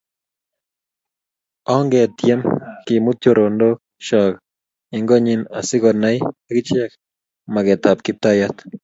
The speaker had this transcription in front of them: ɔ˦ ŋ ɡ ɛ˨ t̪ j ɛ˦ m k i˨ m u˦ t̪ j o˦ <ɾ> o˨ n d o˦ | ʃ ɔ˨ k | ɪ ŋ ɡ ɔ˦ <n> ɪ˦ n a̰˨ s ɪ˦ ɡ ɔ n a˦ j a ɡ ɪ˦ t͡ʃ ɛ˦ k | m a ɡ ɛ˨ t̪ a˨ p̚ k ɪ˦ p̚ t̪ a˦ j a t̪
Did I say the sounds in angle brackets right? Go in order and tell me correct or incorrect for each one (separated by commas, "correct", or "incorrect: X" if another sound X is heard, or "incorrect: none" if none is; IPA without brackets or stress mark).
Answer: correct, incorrect: ɲ